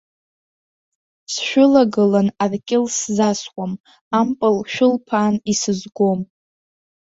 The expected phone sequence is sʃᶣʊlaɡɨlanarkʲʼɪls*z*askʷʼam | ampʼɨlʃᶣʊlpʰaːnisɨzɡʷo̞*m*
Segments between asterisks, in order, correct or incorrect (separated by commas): correct, correct